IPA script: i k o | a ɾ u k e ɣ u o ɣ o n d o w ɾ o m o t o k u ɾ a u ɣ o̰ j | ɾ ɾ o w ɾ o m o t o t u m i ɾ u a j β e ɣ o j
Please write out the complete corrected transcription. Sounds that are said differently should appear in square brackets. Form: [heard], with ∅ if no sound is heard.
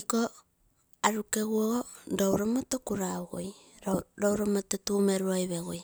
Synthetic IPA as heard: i k o | a ɾ u k e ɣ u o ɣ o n d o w ɾ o m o t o k u ɾ a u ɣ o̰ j | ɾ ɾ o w ɾ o m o t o t u m [e] ɾ u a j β e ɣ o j

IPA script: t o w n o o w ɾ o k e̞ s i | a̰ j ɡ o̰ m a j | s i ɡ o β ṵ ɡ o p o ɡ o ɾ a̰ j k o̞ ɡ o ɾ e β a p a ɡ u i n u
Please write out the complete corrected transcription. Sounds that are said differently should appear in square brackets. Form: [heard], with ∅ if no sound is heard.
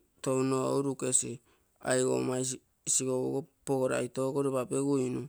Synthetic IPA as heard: t o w n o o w ɾ [u] k e̞ s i | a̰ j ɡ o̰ m a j | s i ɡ o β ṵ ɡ o p o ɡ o ɾ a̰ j [t] o̞ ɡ o ɾ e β a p [e] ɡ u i n u

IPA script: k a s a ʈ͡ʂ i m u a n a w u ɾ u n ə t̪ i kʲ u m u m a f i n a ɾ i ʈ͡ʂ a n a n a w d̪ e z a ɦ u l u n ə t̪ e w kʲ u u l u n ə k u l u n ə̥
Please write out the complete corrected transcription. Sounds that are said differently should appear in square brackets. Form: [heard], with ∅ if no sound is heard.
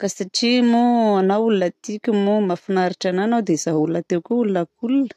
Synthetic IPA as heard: k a s a ʈ͡ʂ i m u a n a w u [l] u n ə t̪ i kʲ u m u m a f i n a ɾ i ʈ͡ʂ a n a n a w d̪ e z a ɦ u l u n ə t̪ e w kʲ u u l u n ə k u l u n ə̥

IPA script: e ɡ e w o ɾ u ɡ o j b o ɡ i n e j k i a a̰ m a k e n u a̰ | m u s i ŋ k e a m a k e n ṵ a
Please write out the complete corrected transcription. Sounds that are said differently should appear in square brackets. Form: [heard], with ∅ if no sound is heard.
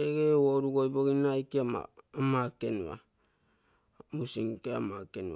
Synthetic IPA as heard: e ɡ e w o ɾ u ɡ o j b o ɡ i n [a] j k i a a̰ m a k e n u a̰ | m u s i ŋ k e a m a k e n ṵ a

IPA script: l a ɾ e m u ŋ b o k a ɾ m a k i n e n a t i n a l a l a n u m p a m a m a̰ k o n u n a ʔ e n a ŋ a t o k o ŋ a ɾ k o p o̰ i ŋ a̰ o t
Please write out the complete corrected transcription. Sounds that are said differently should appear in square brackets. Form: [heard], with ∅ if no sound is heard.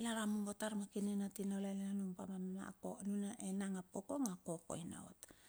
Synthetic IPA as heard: l a ɾ [a] m u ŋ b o [t] a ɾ m a k i n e n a t i n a l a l a n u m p a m a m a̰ k o n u n a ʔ e n a ŋ a [p] o k o ŋ a [∅] k o [k] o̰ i [n] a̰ o t

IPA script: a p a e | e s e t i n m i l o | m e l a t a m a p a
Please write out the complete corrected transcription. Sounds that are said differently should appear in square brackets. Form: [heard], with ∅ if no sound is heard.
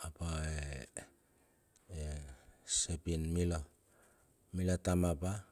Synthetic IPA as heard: a p a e | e s e [p] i n m i l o | m [i] l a t a m a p a

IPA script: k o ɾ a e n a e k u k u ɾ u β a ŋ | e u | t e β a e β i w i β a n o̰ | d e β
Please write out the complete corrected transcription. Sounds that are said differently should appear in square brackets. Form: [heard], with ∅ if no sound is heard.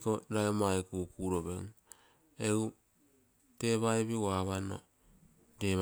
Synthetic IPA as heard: k o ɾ a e [m] a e k u k u ɾ [o] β [e] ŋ | e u | t e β a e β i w [a] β a n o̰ | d e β

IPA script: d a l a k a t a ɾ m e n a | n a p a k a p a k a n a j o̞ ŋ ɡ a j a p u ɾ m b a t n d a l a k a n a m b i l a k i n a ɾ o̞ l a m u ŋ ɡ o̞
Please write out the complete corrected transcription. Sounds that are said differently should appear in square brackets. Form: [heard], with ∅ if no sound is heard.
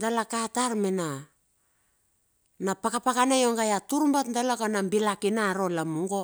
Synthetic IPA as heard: d a l a k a t a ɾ m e n a | n a p a k a p a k a n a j o̞ ŋ ɡ a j a [t] u ɾ m b a t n d a l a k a n a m b i l a k i n a ɾ o̞ l a m u ŋ ɡ o̞

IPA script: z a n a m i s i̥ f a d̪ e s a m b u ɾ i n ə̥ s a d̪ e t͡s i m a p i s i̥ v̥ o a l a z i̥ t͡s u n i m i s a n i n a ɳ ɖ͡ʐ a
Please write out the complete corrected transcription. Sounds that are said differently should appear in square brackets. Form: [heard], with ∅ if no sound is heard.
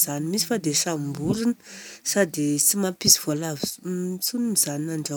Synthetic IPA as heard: z a n [i] m i s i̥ f a d̪ e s a m b u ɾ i n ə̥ s a d̪ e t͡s i m a p i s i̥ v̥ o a l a [v] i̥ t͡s u n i m i [z] a n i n a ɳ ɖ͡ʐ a

